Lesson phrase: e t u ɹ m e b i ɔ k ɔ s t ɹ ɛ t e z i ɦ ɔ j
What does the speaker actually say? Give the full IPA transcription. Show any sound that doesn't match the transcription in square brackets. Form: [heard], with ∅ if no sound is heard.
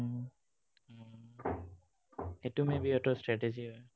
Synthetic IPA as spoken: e t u [∅] m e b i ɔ [t] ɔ s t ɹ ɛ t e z i ɦ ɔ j